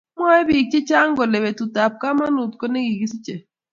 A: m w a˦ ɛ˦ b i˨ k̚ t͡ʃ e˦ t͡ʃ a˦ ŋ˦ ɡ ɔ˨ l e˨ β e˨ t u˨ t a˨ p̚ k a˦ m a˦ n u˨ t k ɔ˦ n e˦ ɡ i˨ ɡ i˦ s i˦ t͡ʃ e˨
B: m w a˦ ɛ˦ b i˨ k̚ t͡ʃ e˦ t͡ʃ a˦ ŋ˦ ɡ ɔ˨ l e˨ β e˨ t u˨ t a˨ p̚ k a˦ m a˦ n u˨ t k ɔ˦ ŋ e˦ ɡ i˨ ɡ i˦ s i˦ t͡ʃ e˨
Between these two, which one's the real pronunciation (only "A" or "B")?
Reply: A